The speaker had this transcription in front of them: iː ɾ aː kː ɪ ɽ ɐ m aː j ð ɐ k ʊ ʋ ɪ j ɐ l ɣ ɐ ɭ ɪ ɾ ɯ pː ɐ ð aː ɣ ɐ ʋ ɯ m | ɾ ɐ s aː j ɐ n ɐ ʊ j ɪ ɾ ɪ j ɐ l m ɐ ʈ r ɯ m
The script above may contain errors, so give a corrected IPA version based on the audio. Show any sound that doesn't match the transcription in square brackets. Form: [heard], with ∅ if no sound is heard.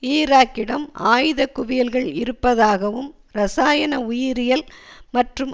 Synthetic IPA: iː ɾ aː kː ɪ ɽ ɐ m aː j ð ɐ k ʊ ʋ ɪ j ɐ l ɣ ɐ ɭ ɪ ɾ ɯ pː ɐ ð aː ɣ ɐ ʋ ɯ m | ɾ ɐ s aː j ɐ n ɐ ʊ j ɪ ɾ ɪ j ɐ l m ɐ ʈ r ɯ m

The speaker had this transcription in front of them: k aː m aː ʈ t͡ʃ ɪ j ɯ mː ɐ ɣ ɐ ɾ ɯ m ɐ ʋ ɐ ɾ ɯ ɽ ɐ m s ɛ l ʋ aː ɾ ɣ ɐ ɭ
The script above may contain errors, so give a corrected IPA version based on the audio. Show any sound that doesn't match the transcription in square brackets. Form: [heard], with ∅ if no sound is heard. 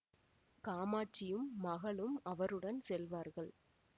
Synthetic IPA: k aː m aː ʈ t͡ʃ ɪ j ɯ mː ɐ ɣ ɐ [ɭ] ɯ m ɐ ʋ ɐ ɾ ɯ ɽ ɐ [n] s ɛ l ʋ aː ɾ ɣ ɐ ɭ

